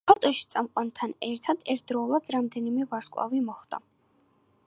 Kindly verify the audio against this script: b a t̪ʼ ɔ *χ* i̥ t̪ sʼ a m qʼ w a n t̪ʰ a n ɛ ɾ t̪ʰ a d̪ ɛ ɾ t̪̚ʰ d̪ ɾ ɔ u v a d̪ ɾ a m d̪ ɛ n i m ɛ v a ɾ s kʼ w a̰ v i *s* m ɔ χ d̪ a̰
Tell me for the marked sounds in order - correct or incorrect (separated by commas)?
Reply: incorrect, incorrect